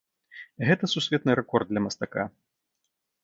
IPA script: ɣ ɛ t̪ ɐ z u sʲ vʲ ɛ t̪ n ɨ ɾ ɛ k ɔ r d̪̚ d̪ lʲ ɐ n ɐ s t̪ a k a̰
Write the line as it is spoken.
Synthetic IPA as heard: ɣ ɛ t̪ ɐ s u sʲ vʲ ɛ t̪ n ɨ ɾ ɛ k ɔ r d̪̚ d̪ lʲ ɐ m ɐ s t̪ a k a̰